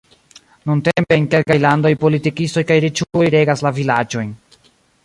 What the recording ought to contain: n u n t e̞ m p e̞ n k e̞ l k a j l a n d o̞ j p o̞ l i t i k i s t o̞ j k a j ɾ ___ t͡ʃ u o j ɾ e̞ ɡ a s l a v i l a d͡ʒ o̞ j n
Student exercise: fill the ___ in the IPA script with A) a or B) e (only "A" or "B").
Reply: B